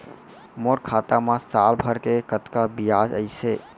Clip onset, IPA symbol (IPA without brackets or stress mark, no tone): m